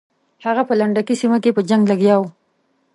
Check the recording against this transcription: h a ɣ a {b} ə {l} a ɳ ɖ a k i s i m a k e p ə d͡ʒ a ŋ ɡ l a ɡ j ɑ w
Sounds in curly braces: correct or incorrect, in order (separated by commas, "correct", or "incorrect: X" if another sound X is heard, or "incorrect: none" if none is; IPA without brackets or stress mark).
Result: incorrect: p, correct